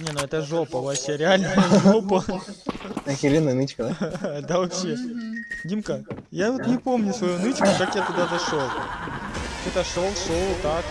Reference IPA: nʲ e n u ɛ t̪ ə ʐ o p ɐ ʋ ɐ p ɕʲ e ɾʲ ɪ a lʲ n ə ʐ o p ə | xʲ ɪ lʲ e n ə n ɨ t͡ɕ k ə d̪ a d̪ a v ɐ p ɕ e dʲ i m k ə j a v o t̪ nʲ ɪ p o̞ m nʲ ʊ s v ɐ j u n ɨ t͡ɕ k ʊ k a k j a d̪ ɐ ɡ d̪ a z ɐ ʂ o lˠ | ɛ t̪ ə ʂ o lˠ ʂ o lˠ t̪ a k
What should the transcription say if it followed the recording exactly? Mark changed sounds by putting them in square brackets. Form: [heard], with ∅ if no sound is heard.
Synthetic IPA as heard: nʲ e n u ɛ t̪ ə ʐ o p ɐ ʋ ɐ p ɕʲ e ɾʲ ɪ a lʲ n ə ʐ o p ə | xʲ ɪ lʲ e n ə n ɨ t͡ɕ k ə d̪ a d̪ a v ɐ p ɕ e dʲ i m k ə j a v o t̪ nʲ ɪ p o̞ m nʲ ʊ s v ɐ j u n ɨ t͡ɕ k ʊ k a k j a [t̪] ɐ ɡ d̪ a z ɐ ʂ o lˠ | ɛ t̪ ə ʂ o lˠ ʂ o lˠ t̪ a k

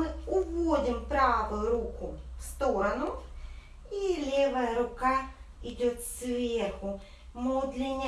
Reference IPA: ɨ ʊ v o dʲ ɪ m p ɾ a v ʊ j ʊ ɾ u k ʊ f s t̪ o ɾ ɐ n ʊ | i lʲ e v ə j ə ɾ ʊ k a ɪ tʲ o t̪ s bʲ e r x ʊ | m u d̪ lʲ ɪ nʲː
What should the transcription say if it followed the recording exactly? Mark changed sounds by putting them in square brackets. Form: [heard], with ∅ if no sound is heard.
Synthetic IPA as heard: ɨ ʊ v o dʲ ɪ m p ɾ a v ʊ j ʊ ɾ u k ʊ f s t̪ o ɾ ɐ n ʊ | i lʲ e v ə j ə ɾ ʊ k a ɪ [dʲ] o t̪ s [vʲ] e r x ʊ | m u d̪ lʲ ɪ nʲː

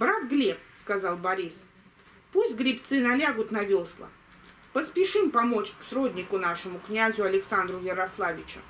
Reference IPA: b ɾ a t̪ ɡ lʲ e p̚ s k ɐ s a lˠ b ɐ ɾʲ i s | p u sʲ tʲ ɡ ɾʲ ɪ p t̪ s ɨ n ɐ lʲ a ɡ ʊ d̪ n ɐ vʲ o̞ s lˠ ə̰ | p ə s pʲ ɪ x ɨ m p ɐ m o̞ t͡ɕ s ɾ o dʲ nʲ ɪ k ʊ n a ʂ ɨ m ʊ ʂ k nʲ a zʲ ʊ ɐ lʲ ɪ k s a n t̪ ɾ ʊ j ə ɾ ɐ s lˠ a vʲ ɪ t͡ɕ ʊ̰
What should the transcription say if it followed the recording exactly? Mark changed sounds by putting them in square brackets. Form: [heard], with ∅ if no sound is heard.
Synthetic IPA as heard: b ɾ a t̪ ɡ lʲ e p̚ s k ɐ [z] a lˠ b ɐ ɾʲ i s | p u sʲ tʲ ɡ ɾʲ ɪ p t̪ s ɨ n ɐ lʲ a ɡ ʊ [t̪] n ɐ vʲ o̞ s lˠ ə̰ | p ə s pʲ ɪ [ʂ] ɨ m p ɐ m o̞ t͡ɕ s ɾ o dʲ nʲ ɪ k ʊ n a ʂ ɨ m ʊ [∅] k nʲ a zʲ ʊ ɐ lʲ ɪ k s a n [d̪] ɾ ʊ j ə ɾ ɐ s lˠ a vʲ ɪ t͡ɕ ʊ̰

